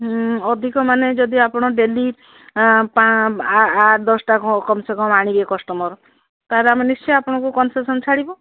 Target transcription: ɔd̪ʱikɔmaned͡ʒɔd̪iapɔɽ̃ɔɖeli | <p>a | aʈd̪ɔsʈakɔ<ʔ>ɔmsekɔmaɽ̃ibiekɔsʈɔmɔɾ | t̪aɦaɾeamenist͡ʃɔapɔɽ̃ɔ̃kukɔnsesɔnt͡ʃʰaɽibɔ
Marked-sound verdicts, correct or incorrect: correct, incorrect: k

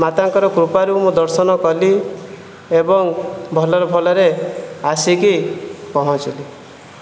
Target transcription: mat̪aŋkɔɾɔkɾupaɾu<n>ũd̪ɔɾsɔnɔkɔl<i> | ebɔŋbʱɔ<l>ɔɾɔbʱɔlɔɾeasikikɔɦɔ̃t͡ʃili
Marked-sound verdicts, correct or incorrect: incorrect: m, correct, correct

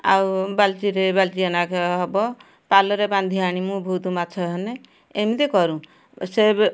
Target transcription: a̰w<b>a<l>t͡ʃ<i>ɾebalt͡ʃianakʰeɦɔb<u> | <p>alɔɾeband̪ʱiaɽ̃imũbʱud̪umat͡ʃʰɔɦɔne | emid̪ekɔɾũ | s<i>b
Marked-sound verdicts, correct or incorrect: correct, correct, correct, incorrect: ɔ, correct, incorrect: e

